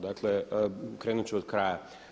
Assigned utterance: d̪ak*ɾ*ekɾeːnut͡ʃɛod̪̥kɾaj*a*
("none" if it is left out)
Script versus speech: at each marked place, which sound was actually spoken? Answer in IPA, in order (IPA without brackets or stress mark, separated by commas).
l, a